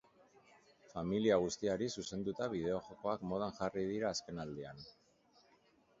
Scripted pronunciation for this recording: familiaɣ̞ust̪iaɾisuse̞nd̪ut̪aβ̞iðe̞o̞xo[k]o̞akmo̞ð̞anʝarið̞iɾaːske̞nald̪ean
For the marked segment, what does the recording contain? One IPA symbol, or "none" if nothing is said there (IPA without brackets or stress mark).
k